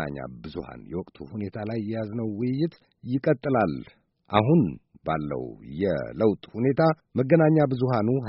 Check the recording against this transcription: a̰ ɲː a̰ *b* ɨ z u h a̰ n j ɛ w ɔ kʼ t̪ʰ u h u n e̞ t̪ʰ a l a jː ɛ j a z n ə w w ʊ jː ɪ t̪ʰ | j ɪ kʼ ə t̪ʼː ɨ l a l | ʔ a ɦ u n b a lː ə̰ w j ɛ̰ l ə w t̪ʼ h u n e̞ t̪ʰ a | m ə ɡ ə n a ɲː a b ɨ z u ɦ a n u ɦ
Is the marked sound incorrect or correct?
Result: correct